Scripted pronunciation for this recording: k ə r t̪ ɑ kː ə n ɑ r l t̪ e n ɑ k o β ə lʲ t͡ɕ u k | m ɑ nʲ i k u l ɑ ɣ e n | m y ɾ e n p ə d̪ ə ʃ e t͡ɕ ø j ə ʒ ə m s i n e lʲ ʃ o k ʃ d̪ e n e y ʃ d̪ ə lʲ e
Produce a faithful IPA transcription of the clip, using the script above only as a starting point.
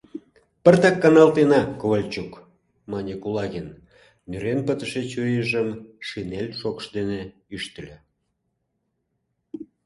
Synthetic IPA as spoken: p ə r t̪ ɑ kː ɑ n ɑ l t̪ e n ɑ k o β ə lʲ t͡ɕ u k | m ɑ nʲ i k u l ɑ ɣ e n | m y ɾ e n p ə t̪ ə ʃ e t͡ɕ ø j ə ʒ ə m ʃ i n e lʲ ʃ o k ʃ d̪ e n e y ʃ t̪ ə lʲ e